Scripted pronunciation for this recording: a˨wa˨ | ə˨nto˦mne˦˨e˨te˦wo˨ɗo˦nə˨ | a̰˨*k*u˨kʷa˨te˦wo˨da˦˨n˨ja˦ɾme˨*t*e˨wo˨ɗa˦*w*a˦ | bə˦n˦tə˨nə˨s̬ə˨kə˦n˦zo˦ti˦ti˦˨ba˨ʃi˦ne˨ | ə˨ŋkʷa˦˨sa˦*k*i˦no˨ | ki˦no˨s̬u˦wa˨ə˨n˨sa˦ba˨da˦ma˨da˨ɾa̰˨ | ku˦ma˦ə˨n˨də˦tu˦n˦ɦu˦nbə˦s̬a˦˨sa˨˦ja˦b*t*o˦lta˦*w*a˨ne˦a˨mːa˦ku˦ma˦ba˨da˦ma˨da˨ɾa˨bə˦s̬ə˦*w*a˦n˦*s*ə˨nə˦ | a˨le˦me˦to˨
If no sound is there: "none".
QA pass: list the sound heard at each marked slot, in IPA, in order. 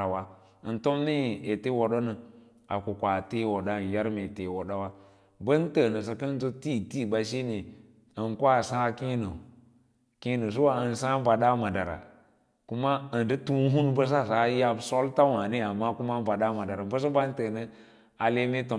k, t, w, k, s, w, b, t

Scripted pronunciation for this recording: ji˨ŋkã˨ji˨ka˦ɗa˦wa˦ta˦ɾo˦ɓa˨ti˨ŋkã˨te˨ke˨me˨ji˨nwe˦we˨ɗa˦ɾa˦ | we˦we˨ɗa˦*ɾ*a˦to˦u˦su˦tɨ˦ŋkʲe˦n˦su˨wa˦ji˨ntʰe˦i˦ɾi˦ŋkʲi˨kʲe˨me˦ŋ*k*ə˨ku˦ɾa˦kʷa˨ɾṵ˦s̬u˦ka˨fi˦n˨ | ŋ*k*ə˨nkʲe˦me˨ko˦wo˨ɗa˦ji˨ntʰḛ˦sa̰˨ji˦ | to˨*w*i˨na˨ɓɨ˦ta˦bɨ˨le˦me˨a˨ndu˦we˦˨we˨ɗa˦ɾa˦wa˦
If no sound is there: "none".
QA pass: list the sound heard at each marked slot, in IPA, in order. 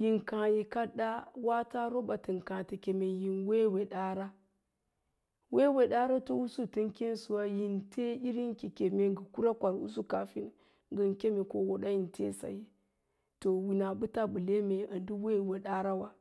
ɾ, ɡ, ɡ, w

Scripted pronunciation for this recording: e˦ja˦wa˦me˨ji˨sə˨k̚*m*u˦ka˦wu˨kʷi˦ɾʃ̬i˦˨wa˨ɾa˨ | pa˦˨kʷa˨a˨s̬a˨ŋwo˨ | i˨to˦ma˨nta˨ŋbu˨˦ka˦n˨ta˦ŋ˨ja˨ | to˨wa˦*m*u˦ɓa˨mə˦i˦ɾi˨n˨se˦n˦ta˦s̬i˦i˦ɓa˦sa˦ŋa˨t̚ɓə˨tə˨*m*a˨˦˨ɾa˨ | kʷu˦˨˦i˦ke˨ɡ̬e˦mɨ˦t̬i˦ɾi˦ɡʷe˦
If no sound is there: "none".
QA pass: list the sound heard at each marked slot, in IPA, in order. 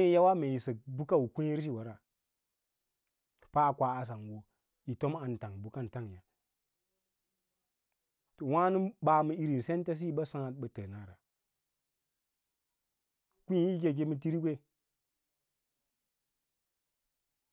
b, n, n

